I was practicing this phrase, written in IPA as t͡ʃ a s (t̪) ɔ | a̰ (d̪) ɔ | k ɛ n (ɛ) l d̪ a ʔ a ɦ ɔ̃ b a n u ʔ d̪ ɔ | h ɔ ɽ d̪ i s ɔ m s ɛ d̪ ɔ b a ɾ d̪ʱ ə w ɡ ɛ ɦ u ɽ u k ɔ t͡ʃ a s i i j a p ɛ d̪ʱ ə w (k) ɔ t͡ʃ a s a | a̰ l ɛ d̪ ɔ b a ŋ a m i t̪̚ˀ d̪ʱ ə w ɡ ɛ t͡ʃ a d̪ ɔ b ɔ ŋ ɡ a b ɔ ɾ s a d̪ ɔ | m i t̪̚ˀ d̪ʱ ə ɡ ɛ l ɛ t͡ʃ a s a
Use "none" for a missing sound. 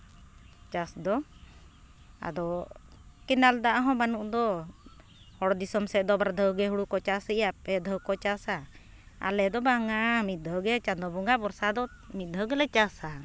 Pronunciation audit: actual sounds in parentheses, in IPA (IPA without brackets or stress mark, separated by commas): d̪, d̪, a, k